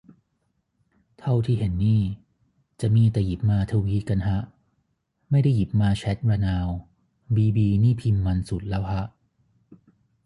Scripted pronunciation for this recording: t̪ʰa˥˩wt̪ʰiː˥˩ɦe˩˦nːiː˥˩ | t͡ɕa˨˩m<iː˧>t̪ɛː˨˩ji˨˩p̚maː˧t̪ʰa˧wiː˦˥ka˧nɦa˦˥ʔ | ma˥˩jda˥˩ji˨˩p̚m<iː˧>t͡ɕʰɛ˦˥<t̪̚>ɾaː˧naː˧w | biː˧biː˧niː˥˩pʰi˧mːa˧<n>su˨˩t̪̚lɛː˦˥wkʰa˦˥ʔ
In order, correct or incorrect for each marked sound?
correct, incorrect: aː˧, correct, correct

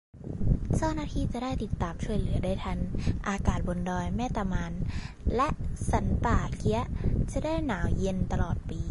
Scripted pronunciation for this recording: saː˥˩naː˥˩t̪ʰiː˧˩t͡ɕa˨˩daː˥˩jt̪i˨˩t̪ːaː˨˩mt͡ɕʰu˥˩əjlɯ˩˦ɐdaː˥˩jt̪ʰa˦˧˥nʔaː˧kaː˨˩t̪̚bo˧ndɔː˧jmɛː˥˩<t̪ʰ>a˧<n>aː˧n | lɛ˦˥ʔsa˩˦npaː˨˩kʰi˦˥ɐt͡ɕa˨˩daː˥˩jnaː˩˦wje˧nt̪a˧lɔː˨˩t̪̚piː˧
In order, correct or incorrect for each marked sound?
incorrect: t̪, incorrect: m

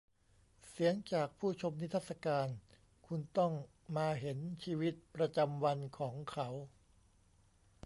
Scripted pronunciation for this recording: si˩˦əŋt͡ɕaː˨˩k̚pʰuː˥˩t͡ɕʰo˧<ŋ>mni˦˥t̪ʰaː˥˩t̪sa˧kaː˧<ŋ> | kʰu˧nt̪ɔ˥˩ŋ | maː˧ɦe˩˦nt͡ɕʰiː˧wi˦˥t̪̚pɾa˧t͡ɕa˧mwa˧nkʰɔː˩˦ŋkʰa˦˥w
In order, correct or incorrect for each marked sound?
incorrect: none, incorrect: n

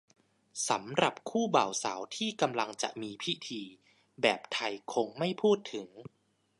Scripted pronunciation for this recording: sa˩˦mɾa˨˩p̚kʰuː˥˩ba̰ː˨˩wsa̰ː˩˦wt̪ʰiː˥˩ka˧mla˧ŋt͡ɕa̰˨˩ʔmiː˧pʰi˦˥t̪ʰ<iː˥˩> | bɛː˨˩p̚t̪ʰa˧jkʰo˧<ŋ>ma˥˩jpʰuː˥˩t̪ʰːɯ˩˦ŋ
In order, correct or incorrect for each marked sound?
incorrect: iː˧, correct

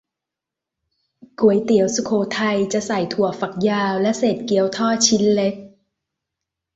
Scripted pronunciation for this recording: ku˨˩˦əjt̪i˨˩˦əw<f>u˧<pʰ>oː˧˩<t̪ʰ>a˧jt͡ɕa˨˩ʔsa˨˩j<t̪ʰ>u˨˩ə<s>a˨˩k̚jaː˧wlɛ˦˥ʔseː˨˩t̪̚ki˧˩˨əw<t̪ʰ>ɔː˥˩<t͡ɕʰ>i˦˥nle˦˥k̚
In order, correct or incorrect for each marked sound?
incorrect: s, incorrect: kʰ, correct, correct, incorrect: f, correct, correct

